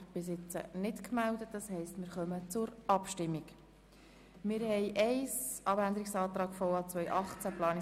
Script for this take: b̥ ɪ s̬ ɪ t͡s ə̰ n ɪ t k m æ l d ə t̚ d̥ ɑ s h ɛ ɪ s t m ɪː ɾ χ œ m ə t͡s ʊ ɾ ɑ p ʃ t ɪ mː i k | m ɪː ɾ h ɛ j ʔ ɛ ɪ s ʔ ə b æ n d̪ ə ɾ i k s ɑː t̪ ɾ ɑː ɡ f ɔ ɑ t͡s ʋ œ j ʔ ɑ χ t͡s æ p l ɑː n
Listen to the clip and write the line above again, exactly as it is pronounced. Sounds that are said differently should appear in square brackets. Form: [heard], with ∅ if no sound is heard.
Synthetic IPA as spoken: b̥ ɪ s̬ ɪ t͡s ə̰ n ɪ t k m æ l d ə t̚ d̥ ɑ s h ɛ ɪ s t m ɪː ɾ χ œ m ə t͡s ʊ ɾ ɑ p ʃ t ɪ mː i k | m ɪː ɾ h ɛ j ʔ ɛ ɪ s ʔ [ɑ] b æ n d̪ ə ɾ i k s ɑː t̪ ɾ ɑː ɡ f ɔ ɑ t͡s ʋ œ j ʔ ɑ χ t͡s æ p l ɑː n